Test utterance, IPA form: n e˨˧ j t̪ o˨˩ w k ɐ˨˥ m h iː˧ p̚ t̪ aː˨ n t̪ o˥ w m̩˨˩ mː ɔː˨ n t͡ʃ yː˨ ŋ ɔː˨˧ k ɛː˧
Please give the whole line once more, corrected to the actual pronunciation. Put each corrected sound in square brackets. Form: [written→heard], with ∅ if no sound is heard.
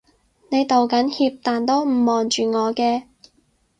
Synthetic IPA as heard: n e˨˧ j t̪ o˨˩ w k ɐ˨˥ [m→n] h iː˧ p̚ t̪ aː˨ n t̪ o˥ w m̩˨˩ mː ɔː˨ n t͡ʃ yː˨ ŋ ɔː˨˧ k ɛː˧